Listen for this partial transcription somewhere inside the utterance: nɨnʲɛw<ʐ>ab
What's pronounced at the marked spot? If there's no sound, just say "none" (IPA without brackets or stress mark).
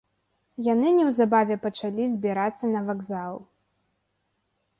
z